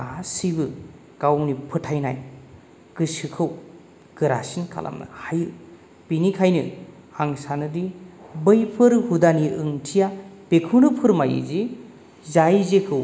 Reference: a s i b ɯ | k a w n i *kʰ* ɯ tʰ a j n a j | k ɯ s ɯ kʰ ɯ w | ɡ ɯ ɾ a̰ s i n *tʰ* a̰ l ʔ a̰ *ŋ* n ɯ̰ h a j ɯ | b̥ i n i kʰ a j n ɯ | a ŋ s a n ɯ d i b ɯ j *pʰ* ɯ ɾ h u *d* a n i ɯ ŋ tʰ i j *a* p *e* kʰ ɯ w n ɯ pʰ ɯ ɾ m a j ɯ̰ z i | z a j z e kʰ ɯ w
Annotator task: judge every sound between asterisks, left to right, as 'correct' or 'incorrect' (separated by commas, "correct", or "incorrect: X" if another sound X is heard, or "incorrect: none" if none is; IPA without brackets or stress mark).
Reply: incorrect: pʰ, incorrect: kʰ, incorrect: m, correct, correct, correct, correct